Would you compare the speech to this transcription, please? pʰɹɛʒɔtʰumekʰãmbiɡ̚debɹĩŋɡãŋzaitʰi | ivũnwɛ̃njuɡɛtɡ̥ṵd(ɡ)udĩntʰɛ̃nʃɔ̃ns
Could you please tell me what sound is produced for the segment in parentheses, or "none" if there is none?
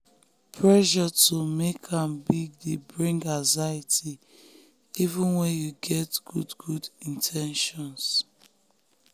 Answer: ɡ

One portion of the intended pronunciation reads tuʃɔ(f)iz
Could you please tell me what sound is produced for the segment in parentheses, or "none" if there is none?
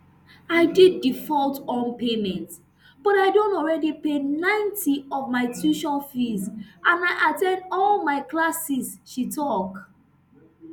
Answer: f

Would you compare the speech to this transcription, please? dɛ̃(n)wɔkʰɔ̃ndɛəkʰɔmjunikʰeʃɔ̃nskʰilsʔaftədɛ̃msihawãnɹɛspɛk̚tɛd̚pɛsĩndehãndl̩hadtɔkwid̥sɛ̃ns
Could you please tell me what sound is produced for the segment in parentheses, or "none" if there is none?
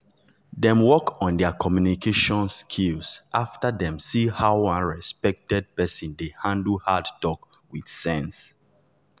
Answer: m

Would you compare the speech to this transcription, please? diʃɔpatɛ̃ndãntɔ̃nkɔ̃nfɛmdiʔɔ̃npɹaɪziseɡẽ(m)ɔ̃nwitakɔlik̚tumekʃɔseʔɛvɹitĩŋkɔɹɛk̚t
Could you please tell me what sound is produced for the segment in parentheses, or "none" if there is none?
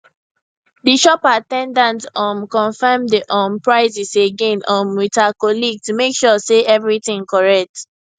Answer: n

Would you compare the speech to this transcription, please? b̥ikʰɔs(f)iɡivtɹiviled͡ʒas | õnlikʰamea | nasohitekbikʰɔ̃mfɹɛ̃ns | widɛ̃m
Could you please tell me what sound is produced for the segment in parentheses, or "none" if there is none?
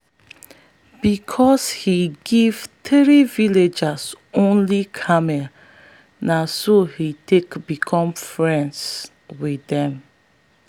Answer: h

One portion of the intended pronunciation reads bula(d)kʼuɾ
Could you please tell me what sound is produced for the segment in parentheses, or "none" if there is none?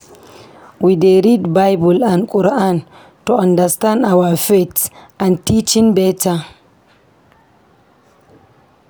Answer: n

